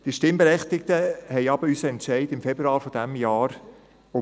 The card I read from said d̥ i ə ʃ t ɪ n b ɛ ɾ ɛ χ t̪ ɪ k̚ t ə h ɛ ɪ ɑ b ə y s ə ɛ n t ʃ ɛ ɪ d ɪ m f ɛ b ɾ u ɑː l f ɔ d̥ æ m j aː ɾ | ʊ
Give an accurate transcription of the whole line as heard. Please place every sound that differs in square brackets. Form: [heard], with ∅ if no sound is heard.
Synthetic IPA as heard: d̥ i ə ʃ t ɪ [m] b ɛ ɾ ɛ χ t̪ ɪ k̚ t ə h ɛ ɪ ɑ b ə y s ə ɛ n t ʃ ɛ ɪ d ɪ m f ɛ b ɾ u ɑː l f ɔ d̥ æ m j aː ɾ | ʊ